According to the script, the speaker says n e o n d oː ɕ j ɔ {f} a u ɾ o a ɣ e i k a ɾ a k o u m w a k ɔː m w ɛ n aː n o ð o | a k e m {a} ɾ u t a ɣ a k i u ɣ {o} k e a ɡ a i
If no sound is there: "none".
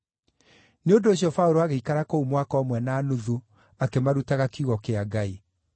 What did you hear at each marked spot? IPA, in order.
f, a, ɔ

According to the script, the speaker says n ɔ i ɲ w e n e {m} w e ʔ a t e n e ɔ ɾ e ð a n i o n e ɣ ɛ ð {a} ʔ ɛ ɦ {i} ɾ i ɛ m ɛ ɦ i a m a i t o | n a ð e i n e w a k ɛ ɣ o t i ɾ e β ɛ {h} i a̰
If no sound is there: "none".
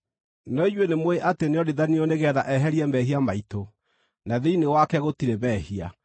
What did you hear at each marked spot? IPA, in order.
m, a, ɛ, h

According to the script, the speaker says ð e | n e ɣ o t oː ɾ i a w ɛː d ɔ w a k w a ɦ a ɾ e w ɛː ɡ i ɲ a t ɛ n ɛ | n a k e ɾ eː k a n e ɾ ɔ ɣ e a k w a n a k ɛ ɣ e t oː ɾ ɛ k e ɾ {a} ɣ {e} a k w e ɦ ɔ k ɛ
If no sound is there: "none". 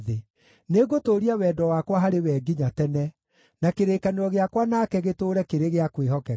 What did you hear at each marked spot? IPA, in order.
e, e

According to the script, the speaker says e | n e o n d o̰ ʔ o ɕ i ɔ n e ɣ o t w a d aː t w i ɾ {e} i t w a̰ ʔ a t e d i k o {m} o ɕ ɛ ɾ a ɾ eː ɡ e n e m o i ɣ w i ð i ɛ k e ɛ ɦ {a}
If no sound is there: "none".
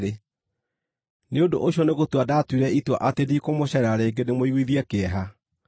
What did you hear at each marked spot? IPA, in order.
ɛ, m, a

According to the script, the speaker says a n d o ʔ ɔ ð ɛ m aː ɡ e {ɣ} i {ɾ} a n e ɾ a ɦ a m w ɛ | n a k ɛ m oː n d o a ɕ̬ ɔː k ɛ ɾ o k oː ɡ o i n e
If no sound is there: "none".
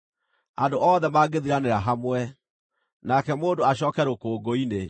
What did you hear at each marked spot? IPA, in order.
ð, ɾ

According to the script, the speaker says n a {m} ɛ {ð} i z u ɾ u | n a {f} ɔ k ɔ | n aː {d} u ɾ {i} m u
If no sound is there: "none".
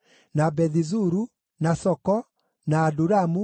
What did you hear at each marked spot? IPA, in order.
b, ð, s, d, a

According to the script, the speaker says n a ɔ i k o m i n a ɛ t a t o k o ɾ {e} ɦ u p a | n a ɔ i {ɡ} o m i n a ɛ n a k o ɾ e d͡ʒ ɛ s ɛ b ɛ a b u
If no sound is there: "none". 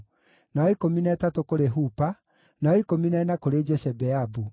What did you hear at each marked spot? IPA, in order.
e, k

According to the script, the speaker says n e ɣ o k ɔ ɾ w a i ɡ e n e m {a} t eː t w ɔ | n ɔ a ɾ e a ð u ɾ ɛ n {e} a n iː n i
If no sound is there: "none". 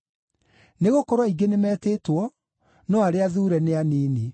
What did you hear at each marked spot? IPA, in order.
ɛ, e

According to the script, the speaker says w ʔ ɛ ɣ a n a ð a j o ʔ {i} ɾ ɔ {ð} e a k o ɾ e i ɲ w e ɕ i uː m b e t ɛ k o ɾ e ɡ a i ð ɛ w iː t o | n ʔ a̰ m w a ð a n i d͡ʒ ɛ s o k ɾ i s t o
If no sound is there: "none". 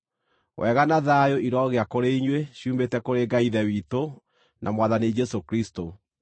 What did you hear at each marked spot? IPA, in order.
i, ɣ

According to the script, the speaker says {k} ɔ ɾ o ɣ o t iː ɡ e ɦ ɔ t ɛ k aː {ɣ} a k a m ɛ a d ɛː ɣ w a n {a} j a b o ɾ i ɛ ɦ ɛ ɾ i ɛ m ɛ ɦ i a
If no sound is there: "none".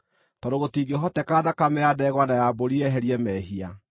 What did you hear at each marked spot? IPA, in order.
t, ð, a

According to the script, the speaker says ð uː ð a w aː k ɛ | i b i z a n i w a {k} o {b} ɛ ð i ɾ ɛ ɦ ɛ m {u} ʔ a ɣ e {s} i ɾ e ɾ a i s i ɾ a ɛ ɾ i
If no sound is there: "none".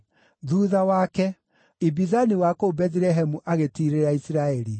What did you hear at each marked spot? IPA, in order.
k, b, u, t

